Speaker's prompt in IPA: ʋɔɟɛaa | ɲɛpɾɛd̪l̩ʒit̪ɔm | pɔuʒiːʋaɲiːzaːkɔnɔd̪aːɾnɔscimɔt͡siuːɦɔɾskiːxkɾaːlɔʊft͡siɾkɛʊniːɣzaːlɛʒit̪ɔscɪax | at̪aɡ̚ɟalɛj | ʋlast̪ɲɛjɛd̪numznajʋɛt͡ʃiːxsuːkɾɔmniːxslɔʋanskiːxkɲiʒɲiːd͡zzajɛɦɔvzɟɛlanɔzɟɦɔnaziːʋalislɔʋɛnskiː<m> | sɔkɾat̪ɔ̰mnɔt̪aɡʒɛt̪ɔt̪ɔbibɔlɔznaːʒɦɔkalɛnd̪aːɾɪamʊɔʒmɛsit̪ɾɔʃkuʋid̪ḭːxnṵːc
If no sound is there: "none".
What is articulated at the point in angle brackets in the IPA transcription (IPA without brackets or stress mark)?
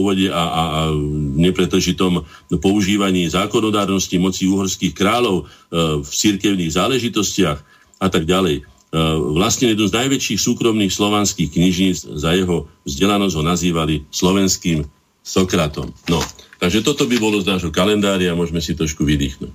m